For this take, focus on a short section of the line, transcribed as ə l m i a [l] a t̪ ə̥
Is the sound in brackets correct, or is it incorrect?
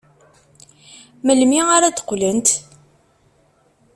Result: incorrect